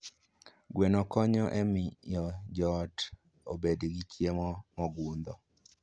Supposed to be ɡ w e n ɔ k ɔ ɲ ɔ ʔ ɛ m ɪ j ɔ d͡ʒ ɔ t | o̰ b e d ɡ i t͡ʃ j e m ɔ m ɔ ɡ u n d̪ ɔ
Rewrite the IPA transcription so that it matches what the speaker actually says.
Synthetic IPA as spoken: ɡ w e n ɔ k ɔ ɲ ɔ ʔ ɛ m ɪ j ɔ d͡ʒ ɔ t | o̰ b e d ɡ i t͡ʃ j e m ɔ m ɔ ɡ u n d̪ ɔ